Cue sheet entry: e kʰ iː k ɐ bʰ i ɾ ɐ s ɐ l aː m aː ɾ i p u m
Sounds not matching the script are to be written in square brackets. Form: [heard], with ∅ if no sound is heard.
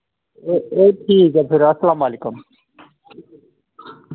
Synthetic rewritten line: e [ʈʰ] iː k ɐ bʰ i ɾ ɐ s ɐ l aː m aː [l] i [k] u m